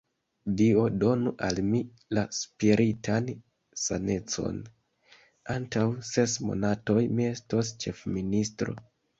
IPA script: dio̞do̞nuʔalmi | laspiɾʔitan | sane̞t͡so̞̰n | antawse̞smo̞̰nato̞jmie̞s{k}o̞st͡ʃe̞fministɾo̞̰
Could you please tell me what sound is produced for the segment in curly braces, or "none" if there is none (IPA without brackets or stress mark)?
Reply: t